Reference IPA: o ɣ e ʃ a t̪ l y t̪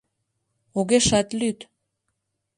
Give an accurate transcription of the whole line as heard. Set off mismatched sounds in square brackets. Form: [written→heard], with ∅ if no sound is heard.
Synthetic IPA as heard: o ɣ e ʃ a t̪ l y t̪